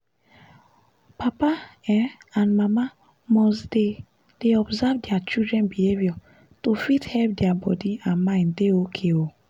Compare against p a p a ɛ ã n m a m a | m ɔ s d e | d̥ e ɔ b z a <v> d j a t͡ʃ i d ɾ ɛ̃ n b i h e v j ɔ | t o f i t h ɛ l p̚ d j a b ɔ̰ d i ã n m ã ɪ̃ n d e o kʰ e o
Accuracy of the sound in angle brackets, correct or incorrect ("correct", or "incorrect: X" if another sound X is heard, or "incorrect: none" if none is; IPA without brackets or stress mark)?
correct